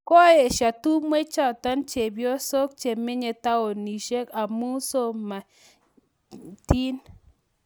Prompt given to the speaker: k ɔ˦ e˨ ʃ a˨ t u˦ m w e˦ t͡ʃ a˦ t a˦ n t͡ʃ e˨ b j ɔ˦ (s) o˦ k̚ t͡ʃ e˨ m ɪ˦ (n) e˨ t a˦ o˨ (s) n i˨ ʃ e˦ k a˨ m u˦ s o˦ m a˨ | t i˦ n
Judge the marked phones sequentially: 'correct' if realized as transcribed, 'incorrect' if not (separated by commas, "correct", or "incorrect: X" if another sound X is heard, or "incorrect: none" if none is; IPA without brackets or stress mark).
correct, incorrect: ɲ, incorrect: none